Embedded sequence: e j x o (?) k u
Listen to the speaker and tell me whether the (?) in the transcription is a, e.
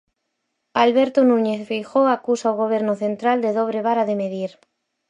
a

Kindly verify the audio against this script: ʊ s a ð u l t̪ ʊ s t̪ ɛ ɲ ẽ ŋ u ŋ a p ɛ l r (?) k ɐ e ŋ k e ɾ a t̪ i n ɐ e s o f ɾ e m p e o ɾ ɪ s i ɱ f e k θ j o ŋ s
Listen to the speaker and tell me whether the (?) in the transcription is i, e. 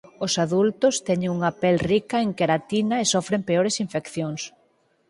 i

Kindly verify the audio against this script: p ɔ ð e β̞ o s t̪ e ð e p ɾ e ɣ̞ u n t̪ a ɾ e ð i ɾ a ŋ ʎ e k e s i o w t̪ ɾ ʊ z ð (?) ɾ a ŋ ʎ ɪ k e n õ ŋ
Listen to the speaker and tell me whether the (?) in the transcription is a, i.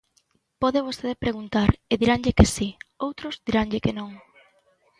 i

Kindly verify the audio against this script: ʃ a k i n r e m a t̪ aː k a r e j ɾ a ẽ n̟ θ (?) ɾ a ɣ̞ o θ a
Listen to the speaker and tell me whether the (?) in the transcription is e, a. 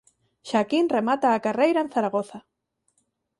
a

